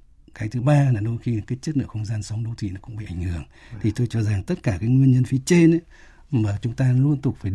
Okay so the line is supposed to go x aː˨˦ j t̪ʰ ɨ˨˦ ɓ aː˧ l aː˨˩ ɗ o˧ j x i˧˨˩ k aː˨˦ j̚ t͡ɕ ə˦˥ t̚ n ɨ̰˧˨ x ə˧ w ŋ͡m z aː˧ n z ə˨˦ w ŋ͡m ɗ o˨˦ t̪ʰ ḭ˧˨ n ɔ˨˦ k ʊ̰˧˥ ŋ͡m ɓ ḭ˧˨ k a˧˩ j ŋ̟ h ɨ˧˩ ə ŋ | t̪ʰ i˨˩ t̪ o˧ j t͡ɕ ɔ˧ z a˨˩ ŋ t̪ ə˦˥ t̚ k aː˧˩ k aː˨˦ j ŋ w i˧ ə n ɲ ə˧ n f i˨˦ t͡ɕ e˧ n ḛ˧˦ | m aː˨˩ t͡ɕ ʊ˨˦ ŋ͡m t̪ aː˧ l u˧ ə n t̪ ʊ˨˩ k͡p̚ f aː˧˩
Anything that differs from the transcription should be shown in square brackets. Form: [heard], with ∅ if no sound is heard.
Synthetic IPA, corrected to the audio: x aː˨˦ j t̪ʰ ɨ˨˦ ɓ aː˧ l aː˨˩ ɗ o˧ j x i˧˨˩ k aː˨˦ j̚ t͡ɕ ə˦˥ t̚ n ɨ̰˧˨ x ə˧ w ŋ͡m z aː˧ n [s] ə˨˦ w ŋ͡m ɗ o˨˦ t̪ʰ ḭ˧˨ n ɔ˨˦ k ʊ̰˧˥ ŋ͡m ɓ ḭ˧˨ [ʔ] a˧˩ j ŋ̟ h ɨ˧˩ ə ŋ | t̪ʰ i˨˩ t̪ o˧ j t͡ɕ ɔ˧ z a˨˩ ŋ t̪ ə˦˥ t̚ k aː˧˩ k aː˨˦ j ŋ w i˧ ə n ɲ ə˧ n f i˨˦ t͡ɕ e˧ n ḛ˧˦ | m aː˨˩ t͡ɕ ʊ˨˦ ŋ͡m t̪ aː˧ l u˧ ə n t̪ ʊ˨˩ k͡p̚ f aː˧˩